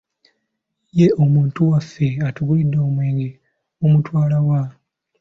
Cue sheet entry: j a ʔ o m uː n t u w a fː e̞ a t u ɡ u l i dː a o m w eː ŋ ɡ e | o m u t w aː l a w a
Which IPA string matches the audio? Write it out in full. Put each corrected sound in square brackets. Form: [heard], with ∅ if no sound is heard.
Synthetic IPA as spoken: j [e] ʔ o m uː n t u w a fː e̞ a t u ɡ u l i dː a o m w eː ŋ ɡ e | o m u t w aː l a w a

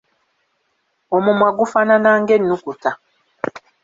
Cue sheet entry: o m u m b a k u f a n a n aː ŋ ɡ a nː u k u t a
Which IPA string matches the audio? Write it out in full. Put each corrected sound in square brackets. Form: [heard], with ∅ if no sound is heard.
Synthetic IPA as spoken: o m u m [w] a [ɡ] u f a n a n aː ŋ ɡ [e] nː u k u t a

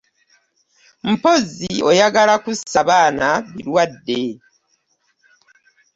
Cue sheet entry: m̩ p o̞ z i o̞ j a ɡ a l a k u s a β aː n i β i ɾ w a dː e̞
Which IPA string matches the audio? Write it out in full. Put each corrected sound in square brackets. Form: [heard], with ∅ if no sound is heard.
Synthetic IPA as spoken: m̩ p o̞ z i o̞ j a ɡ a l a k u s a β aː n [a] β i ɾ w a dː e̞

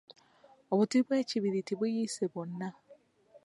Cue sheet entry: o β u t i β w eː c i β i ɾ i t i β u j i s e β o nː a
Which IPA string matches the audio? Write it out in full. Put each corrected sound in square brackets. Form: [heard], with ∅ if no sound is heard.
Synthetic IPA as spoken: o β u t i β w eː c i β i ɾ i t i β u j i s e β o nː a

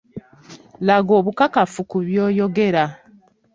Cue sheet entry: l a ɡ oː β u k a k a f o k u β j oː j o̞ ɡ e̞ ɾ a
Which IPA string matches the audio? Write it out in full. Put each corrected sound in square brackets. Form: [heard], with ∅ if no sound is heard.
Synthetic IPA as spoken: l a ɡ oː β u k a k a f [u] k u β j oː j o̞ ɡ e̞ ɾ a

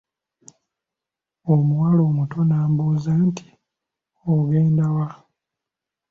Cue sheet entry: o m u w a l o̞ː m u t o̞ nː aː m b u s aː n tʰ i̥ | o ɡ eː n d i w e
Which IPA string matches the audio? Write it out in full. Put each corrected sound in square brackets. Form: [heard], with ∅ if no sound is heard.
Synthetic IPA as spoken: o m u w a l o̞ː m u t o̞ [n] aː m b u [z] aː n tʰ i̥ | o ɡ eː n d [a] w [a]

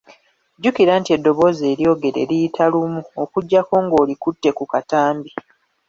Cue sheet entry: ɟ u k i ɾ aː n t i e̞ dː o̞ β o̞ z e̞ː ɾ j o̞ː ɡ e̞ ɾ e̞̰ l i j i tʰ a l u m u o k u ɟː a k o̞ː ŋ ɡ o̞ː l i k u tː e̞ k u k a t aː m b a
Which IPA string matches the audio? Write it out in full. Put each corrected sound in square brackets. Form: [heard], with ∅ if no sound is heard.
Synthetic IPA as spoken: ɟ u k i ɾ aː n t i e̞ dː o̞ β o̞ z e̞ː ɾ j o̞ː ɡ e̞ ɾ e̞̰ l i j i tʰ a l u m u o k u ɟː a k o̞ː ŋ ɡ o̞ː l i k u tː e̞ k u k a t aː m b [i]

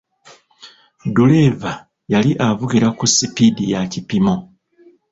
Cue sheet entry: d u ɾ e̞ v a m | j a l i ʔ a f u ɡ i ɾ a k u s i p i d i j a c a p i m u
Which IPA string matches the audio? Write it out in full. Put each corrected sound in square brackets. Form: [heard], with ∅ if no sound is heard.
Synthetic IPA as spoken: d u [l] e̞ v a [∅] | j a l i ʔ a [v] u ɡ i ɾ a k u s i p i d i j a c [i] p i m [o]

